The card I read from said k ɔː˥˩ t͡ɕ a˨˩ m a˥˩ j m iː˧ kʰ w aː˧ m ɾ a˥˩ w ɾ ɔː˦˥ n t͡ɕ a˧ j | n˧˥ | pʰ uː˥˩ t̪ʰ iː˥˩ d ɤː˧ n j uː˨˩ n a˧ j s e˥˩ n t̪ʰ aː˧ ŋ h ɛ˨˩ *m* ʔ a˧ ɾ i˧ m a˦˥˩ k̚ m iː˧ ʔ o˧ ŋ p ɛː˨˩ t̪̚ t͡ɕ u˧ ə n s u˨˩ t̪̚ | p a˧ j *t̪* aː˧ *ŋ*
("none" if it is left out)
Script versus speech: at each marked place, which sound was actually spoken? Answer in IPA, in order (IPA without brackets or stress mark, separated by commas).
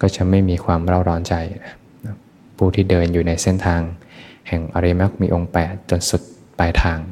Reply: ŋ, t̪ʰ, ŋ